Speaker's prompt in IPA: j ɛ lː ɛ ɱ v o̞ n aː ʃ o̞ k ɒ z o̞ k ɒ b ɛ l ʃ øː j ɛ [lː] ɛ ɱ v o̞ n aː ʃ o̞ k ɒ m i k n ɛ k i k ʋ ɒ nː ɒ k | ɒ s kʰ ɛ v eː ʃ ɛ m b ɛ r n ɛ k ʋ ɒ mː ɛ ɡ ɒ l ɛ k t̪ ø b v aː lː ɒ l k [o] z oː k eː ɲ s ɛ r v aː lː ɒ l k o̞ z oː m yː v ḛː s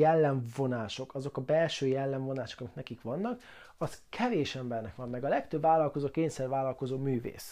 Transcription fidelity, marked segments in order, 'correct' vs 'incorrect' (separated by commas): correct, correct